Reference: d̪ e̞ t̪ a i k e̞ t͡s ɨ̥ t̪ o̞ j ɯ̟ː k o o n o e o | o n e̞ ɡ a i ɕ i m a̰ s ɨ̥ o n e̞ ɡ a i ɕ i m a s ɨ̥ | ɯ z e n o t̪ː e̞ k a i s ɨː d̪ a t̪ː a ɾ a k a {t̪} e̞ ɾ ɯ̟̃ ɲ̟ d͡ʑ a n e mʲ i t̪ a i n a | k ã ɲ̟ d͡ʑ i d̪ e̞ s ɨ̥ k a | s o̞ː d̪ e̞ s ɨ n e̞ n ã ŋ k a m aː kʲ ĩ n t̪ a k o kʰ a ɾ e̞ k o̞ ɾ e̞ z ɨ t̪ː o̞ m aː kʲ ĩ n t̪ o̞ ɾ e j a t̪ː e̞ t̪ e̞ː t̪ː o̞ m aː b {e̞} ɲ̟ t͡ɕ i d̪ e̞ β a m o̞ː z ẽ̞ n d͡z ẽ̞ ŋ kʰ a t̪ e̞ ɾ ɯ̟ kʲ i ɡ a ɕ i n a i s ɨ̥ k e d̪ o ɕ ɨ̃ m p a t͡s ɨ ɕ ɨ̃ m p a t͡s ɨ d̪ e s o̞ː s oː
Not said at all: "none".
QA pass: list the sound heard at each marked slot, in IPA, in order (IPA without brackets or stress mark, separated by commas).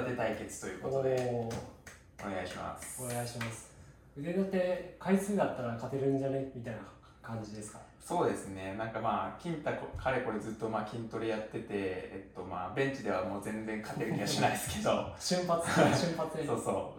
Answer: t̪, ẽ̞